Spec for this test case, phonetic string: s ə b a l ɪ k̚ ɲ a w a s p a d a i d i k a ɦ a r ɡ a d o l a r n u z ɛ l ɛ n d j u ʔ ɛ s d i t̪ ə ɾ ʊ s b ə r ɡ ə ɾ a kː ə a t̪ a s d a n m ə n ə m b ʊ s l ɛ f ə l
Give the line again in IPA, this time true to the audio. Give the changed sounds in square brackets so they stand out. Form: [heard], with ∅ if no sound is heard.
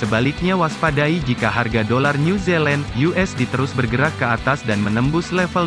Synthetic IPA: s ə b a l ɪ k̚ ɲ a w a s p a d a i [d͡ʒ] i k a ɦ a r ɡ a d o l a r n u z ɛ l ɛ n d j u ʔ ɛ s d i t̪ ə ɾ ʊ s b ə r ɡ ə ɾ a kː ə a t̪ a s d a n m ə n ə m b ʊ s l ɛ f ə l